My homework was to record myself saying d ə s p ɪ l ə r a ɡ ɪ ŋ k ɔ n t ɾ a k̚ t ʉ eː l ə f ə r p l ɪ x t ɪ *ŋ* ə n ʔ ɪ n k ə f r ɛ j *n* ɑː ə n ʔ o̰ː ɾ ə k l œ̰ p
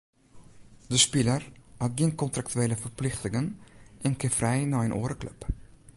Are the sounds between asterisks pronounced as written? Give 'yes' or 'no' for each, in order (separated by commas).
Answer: yes, yes